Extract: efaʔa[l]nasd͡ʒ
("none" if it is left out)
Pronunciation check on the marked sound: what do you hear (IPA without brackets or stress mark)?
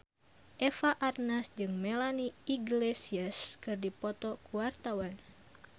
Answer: r